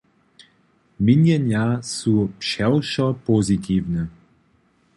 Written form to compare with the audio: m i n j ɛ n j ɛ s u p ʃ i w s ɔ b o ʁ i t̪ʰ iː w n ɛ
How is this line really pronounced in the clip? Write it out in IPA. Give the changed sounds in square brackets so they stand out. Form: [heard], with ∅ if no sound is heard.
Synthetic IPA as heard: m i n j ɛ n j [a] s u p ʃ [ɛ] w [ʃ] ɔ [p] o [z] i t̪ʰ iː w n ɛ